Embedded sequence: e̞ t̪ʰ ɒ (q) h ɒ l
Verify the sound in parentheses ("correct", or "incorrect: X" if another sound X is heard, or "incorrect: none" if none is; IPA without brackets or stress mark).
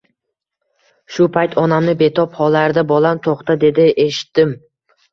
incorrect: p